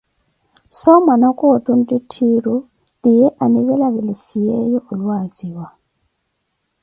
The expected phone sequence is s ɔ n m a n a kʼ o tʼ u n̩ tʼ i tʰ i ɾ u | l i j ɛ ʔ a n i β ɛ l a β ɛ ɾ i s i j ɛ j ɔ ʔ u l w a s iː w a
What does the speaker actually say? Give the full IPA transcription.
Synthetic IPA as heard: s ɔ m a n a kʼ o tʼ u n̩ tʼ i tʰ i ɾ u | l i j ɛ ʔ a n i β ɛ l a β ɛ l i s i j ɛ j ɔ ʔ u l w a z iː w a